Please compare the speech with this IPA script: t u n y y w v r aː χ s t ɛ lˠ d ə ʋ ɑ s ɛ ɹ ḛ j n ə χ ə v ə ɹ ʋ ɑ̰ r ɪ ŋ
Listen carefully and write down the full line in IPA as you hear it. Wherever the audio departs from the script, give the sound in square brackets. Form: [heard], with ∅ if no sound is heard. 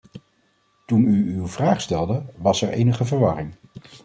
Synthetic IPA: t u n y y w v r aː χ s t ɛ lˠ d ə ʋ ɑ s ɛ ɹ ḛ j n ə χ ə v ə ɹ ʋ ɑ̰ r ɪ ŋ